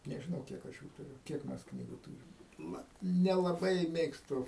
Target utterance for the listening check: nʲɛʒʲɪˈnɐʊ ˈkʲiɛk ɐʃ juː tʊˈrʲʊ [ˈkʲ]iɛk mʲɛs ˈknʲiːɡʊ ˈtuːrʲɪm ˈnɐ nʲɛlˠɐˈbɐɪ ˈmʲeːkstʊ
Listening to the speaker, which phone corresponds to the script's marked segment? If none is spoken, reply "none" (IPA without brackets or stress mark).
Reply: kʲ